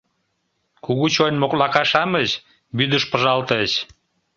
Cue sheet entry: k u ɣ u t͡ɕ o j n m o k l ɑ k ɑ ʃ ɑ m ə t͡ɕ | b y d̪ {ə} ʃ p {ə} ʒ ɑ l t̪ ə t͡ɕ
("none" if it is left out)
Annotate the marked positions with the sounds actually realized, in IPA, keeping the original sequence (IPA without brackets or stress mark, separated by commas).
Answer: ə, ə